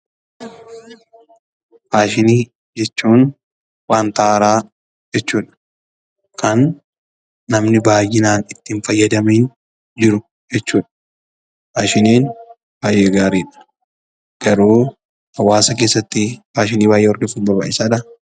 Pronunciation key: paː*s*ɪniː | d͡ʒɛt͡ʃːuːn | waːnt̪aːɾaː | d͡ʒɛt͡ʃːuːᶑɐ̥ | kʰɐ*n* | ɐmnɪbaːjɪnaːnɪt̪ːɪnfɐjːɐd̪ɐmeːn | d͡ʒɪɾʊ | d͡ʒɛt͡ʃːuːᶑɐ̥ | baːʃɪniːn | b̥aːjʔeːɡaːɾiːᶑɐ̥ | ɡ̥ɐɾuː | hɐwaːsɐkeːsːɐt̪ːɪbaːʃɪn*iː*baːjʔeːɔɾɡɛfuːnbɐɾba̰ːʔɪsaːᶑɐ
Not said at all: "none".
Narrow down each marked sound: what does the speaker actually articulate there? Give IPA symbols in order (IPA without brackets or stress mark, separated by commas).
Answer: ʃ, nː, iː